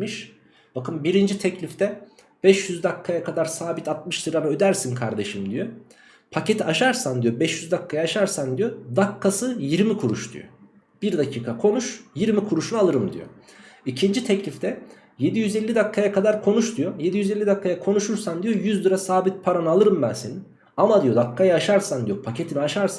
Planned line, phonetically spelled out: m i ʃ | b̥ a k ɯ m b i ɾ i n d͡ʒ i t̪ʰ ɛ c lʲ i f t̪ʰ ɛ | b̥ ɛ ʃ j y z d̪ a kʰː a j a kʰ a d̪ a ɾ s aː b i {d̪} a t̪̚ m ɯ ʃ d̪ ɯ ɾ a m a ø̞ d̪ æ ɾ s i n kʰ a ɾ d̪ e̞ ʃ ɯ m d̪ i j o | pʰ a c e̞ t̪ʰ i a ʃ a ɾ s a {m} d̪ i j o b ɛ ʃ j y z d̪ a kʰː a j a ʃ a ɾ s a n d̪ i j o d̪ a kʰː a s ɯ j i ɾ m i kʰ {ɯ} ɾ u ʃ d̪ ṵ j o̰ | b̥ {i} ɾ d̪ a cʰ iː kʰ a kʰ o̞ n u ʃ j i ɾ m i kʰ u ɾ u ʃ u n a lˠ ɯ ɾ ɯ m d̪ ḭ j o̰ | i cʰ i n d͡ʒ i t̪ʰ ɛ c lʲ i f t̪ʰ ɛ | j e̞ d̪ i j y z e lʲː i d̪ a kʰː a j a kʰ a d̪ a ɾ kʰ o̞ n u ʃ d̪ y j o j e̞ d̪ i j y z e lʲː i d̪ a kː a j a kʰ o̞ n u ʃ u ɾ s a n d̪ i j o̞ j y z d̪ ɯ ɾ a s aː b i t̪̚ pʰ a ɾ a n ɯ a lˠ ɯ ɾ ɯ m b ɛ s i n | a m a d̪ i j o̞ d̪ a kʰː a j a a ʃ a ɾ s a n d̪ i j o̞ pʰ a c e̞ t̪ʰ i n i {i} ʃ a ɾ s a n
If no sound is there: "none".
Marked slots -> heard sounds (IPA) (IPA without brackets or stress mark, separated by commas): t̪, n, u, i, a